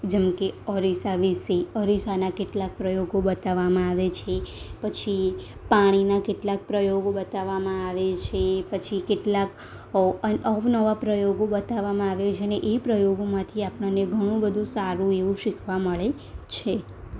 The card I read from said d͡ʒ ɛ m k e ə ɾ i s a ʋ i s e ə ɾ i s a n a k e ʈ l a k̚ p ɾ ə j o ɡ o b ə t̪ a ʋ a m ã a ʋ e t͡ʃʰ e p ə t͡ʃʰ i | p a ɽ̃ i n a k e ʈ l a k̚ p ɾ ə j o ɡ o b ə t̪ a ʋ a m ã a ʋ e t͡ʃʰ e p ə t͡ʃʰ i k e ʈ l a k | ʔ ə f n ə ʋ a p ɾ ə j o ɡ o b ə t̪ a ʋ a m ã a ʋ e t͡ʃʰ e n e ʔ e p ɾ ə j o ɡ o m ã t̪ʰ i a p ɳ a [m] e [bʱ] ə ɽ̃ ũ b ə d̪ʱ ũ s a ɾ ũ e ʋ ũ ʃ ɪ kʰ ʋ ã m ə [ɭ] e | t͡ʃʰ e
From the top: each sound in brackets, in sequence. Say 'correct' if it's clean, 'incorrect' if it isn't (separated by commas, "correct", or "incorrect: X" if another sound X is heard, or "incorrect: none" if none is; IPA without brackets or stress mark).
incorrect: n, incorrect: ɡʱ, correct